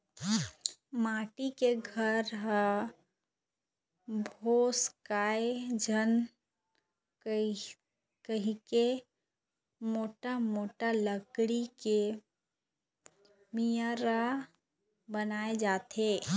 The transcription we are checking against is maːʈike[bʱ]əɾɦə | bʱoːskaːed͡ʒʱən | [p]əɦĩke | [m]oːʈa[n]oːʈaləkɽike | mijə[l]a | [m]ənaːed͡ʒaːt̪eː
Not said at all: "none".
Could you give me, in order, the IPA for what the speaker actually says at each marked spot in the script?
ɡʱ, k, m, m, ɾ, b

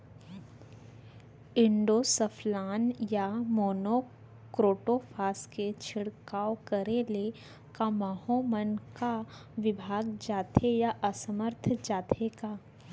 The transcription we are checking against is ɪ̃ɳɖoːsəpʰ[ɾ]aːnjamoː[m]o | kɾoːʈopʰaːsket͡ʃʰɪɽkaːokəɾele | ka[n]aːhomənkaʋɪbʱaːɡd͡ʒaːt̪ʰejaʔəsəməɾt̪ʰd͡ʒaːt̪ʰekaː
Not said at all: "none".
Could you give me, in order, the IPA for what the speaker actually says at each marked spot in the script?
l, n, m

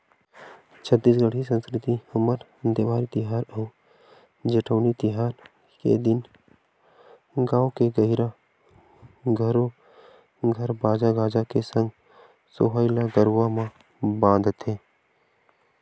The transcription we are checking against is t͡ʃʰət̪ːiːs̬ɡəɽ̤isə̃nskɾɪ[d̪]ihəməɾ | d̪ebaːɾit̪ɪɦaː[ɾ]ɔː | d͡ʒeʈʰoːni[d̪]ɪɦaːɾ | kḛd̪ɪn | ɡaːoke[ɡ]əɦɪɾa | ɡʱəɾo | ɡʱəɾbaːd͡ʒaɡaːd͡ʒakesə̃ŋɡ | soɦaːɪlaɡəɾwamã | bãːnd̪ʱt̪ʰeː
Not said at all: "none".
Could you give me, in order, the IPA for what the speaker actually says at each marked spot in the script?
t̪, ɾ, t̪, ɡ

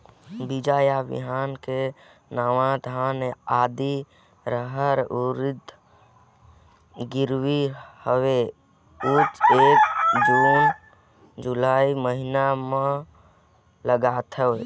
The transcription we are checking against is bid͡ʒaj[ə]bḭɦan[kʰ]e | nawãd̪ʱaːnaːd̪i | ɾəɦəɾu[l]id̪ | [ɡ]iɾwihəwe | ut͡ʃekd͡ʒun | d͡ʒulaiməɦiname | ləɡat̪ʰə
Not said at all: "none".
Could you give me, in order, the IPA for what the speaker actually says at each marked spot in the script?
a, k, ɾ, ɡ

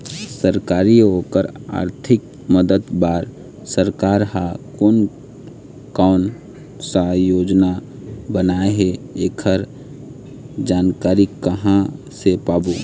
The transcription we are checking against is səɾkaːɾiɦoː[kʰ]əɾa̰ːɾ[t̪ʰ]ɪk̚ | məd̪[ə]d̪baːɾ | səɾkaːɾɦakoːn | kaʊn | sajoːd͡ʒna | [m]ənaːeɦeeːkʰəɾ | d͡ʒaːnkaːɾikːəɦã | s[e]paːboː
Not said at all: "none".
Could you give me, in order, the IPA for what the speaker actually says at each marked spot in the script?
k, t̪ʰ, ə, b, e

